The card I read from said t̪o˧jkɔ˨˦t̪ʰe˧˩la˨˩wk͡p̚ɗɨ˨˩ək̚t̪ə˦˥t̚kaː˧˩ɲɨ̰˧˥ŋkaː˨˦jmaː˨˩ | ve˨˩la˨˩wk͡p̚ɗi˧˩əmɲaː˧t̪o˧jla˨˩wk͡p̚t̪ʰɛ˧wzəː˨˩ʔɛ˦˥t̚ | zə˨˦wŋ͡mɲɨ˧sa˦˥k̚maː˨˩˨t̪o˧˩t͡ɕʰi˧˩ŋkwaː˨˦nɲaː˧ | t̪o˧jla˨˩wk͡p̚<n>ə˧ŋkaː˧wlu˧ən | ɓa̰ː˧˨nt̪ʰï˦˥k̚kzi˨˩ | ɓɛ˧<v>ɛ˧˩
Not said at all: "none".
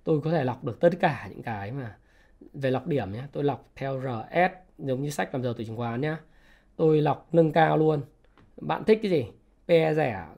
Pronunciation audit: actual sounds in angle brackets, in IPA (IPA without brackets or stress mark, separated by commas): n, z